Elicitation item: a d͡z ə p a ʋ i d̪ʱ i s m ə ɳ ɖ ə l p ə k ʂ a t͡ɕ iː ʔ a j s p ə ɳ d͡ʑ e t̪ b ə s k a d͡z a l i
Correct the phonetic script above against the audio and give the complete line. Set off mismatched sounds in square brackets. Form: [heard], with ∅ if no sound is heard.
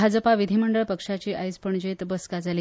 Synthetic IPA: a d͡z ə p a ʋ i d̪ʱ i [∅] m ə ɳ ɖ ə [ɭ] p ə k ʂ a t͡ɕ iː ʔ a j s p ə ɳ d͡ʑ e t̪ b ə s k a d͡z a l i